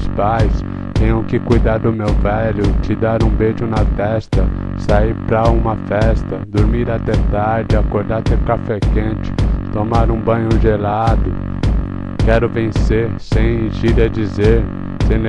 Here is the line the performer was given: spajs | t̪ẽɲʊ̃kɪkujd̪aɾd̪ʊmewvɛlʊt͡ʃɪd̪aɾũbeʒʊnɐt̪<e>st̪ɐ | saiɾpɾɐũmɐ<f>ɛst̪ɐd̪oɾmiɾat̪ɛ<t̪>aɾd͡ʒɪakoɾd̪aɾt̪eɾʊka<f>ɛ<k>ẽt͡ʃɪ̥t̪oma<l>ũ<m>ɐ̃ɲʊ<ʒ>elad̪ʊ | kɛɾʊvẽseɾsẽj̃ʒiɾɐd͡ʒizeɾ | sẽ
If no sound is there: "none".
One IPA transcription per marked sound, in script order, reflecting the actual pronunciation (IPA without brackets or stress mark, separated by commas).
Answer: ɛ, f, t̪, f, k, ɾ, b, ʒ